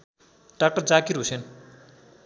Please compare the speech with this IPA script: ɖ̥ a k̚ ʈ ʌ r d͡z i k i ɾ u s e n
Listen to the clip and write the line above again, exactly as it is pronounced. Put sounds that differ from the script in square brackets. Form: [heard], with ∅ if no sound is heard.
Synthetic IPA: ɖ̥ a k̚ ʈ ʌ r d͡z [a] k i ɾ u s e n